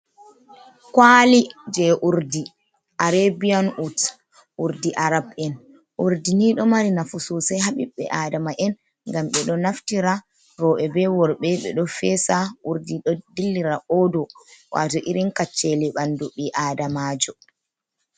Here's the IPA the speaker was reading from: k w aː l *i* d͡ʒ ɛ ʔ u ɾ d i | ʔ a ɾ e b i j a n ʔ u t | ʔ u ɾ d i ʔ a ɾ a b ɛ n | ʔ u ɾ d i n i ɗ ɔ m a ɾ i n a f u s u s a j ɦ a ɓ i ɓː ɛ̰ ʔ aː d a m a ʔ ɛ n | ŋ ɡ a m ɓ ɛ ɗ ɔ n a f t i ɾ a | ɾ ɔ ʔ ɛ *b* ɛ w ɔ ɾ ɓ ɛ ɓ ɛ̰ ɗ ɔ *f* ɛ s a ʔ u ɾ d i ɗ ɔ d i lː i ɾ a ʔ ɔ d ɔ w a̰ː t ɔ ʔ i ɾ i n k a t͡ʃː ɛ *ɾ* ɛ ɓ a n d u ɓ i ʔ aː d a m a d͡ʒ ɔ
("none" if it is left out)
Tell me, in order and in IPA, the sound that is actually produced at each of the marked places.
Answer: i, b, f, l

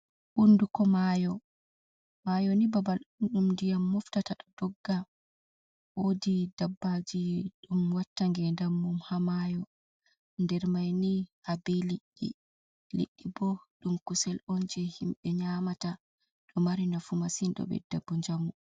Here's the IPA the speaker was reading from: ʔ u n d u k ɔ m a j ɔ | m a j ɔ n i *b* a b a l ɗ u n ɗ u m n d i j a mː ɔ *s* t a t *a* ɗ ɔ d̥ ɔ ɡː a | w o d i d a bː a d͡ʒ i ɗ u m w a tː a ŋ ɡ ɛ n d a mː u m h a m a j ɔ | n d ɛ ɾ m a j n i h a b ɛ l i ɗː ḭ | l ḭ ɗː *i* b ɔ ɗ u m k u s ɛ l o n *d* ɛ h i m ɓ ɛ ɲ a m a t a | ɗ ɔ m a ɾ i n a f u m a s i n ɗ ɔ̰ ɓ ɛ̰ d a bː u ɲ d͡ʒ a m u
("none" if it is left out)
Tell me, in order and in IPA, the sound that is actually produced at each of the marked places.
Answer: b, f, a, i, d͡ʒ

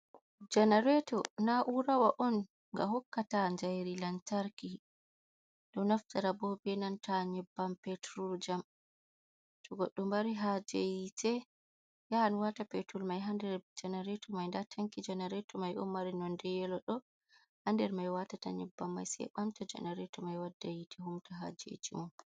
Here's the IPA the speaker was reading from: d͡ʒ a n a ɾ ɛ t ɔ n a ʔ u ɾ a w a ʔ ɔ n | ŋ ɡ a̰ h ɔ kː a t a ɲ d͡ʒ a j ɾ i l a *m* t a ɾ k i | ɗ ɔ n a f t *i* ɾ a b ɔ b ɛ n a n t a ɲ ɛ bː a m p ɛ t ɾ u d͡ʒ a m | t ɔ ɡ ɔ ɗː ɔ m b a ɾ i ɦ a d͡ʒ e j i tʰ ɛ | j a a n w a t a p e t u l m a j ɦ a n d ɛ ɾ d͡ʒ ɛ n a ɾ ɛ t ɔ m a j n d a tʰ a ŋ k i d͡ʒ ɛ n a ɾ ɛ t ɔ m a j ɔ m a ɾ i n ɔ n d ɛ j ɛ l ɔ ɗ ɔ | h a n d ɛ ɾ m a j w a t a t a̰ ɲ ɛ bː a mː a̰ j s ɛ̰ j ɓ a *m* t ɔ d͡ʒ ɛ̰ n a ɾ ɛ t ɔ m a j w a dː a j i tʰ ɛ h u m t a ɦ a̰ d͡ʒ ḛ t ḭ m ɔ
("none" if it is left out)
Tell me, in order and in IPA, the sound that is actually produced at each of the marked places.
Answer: n, a, m

